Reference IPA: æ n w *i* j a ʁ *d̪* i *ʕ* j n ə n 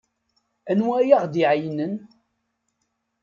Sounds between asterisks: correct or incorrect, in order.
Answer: incorrect: æ, correct, correct

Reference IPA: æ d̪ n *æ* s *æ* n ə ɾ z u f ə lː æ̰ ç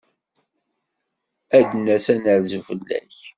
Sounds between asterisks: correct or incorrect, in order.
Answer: correct, correct

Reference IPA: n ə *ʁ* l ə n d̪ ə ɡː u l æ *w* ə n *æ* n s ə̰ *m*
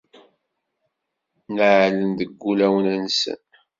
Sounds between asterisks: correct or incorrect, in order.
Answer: incorrect: ʕ, correct, correct, incorrect: n

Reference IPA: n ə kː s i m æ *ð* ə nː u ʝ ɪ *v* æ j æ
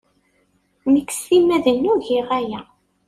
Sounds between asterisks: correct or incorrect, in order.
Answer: correct, incorrect: ʁ

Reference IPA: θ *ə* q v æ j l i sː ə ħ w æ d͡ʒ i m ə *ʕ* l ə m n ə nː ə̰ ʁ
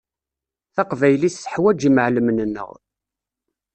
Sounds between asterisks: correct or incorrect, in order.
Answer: incorrect: ɑ, correct

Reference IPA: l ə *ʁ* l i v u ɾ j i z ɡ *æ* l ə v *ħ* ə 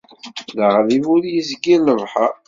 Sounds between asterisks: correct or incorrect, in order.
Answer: correct, incorrect: i, correct

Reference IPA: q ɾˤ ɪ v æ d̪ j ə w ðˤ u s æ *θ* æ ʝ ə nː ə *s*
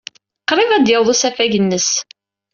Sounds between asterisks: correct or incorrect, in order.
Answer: incorrect: f, correct

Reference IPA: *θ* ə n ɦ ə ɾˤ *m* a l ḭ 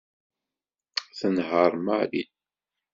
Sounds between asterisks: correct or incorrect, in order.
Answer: correct, correct

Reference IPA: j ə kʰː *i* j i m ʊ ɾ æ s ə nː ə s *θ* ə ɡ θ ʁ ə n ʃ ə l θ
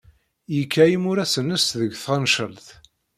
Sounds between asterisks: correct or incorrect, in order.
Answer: incorrect: æ, incorrect: ð

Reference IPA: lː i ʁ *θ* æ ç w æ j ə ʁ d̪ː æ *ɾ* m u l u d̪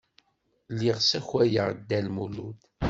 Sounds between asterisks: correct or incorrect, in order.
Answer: incorrect: s, incorrect: l

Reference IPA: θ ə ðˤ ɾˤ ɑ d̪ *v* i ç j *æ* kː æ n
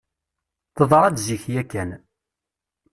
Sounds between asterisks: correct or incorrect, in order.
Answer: incorrect: z, correct

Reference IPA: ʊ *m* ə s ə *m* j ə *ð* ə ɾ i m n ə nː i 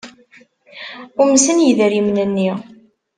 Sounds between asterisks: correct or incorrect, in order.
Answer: correct, incorrect: n, correct

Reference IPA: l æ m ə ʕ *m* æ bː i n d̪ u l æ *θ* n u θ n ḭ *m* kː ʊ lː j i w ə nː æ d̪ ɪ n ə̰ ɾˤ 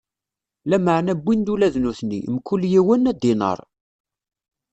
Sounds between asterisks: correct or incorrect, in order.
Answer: incorrect: n, incorrect: ð, correct

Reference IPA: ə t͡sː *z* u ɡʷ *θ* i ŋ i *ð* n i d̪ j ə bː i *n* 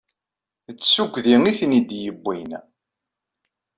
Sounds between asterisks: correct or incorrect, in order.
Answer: incorrect: s, incorrect: ð, incorrect: θ, correct

